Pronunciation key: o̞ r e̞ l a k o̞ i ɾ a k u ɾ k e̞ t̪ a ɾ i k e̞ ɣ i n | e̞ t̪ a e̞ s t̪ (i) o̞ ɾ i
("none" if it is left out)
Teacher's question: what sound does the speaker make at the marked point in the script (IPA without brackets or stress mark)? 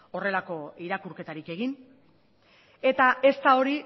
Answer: a